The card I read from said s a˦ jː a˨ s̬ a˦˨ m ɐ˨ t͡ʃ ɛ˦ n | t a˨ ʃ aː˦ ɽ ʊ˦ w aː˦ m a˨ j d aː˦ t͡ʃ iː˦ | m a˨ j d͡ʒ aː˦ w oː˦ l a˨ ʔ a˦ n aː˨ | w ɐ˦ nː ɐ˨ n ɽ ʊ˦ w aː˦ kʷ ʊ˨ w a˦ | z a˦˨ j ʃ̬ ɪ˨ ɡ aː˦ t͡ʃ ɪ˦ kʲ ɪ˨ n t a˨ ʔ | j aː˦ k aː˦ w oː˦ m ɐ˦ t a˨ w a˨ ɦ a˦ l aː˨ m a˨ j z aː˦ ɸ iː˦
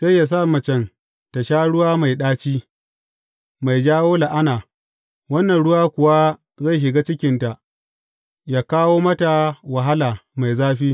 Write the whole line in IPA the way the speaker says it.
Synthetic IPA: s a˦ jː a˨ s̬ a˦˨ m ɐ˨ t͡ʃ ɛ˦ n | t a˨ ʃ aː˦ ɽ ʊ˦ w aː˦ m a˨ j ɗ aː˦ t͡ʃ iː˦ | m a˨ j d͡ʒ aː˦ w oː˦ l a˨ ʔ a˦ n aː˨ | w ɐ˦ nː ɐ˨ n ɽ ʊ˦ w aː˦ kʷ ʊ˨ w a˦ | z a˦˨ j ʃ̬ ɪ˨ ɡ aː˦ t͡ʃ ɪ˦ kʲ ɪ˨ n t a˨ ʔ | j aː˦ k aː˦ w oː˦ m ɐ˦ t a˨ w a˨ ɦ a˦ l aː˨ m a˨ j z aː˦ ɸ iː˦